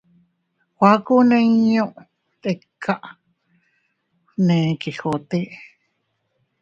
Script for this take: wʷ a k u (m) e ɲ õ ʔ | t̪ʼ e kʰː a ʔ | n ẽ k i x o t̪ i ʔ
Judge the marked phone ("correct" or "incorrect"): incorrect